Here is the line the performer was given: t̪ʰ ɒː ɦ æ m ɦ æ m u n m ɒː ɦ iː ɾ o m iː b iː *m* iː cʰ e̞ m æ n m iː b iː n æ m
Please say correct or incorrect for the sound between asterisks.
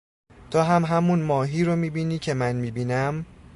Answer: incorrect